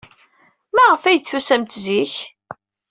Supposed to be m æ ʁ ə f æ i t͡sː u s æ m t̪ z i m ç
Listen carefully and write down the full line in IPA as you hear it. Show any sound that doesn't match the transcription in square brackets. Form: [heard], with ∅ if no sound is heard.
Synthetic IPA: m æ ʁ ə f æ [j] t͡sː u s æ m t̪ z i [∅] ç